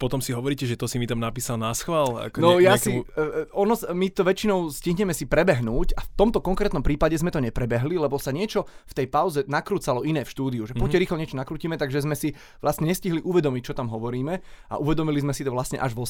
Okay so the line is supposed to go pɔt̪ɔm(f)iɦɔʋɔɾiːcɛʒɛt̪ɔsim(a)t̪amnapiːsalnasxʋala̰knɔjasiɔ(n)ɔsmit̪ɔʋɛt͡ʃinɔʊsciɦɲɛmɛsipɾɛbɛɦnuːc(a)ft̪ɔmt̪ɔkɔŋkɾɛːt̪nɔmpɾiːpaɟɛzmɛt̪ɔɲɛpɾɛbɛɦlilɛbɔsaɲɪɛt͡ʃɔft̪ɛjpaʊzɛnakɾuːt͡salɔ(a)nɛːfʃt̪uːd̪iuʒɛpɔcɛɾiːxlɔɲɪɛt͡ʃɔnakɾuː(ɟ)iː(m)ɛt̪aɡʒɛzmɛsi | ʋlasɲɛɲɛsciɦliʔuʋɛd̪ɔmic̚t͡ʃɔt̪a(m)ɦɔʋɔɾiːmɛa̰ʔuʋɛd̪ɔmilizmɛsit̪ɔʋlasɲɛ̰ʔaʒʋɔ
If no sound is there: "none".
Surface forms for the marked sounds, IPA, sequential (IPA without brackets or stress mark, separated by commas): s, i, n, a, i, c, m, m